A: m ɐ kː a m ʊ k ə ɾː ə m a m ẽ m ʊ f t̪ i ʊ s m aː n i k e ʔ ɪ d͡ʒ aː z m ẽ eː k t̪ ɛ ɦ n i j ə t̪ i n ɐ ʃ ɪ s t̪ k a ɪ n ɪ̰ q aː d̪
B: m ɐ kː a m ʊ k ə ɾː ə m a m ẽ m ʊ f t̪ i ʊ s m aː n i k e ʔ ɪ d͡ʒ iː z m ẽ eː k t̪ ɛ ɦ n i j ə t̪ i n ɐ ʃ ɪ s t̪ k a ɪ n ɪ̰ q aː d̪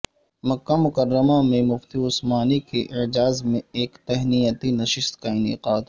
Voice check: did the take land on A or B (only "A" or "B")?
A